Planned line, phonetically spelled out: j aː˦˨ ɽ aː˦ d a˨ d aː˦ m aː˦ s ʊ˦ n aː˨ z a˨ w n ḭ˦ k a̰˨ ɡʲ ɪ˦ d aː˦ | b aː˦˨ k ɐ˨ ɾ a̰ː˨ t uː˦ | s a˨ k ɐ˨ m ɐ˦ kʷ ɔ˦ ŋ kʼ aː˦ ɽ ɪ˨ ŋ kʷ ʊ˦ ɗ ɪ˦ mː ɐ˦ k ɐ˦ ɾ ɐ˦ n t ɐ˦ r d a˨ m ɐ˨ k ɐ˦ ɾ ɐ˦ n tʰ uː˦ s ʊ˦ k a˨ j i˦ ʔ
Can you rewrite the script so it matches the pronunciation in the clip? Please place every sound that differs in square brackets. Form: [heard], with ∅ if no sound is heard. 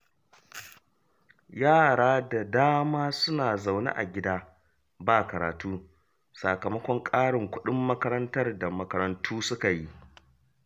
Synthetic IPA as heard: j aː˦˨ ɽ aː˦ d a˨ d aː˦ m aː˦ s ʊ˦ n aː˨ z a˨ w n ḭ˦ [ʔ] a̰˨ ɡʲ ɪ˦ d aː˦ | b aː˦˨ k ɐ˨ ɾ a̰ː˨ t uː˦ | s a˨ k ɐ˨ m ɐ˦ kʷ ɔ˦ ŋ kʼ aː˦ ɽ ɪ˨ ŋ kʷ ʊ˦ ɗ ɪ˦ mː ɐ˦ k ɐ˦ ɾ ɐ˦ n t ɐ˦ r d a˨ m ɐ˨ k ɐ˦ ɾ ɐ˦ n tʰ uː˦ s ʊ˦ k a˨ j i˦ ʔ